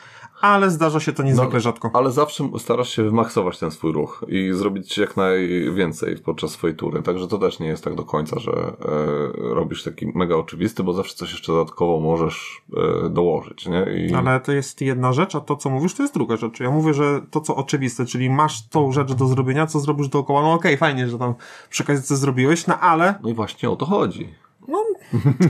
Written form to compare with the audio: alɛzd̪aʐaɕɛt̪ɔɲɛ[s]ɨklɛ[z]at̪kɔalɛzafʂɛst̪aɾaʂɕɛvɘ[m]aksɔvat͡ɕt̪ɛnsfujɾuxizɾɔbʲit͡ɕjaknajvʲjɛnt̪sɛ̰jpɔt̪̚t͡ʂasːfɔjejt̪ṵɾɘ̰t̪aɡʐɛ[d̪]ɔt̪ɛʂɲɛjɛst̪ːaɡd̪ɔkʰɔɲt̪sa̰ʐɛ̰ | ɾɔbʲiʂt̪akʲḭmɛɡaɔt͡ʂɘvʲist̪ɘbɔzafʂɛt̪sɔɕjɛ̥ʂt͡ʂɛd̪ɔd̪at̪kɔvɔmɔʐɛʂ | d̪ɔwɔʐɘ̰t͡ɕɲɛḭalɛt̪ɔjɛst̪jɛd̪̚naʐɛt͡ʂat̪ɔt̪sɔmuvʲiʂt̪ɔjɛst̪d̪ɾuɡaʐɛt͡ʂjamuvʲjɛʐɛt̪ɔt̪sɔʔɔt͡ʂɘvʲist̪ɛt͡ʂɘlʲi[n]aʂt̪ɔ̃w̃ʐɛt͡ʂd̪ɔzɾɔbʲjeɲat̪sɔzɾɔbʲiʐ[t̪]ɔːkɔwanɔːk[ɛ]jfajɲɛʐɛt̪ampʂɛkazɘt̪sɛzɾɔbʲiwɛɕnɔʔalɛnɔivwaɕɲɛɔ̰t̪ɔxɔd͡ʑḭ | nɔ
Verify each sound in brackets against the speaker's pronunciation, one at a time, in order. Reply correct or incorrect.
incorrect, incorrect, correct, incorrect, incorrect, incorrect, correct

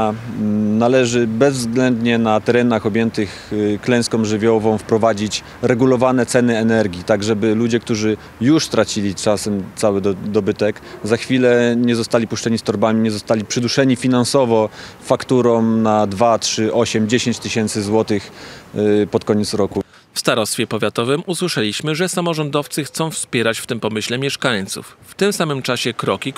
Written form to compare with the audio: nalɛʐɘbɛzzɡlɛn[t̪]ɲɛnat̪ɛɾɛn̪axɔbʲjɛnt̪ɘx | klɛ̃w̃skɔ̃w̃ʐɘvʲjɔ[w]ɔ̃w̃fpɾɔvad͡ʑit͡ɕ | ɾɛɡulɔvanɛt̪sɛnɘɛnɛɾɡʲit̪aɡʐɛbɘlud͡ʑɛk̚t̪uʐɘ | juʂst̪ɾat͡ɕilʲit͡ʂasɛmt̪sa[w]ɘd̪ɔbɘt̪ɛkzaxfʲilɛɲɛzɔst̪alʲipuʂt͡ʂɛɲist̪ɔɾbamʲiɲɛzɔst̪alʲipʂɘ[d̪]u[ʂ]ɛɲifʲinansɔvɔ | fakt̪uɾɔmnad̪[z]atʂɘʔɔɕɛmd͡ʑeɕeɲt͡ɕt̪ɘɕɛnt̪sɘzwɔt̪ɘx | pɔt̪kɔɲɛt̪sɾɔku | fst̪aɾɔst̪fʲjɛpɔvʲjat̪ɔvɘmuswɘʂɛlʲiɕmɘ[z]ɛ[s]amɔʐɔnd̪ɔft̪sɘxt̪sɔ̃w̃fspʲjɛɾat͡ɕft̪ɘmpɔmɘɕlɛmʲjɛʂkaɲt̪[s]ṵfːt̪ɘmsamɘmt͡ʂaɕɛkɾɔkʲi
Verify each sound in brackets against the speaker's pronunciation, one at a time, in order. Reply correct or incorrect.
incorrect, incorrect, correct, correct, correct, incorrect, incorrect, correct, correct

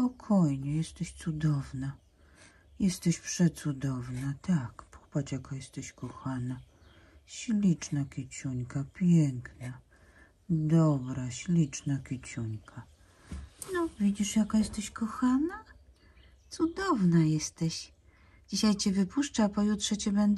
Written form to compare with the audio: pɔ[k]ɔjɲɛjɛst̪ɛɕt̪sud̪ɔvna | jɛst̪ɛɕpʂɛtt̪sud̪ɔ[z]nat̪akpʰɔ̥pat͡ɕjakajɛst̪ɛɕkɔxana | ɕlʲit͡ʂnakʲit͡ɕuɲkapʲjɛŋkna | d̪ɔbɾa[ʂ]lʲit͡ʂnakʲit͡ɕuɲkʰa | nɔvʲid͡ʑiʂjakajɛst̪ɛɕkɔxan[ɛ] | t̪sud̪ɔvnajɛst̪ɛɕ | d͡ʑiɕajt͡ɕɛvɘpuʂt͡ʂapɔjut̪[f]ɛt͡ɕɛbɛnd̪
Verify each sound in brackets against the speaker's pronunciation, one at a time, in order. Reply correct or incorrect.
incorrect, incorrect, incorrect, incorrect, incorrect

